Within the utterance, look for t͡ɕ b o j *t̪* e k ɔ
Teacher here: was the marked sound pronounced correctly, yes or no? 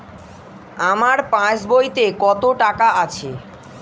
yes